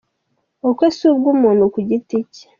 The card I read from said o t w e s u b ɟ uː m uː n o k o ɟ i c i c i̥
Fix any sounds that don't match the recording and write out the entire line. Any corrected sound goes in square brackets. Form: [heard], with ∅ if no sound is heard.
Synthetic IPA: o [k] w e s u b [ɡ] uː m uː n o k [u] ɟ i [t] i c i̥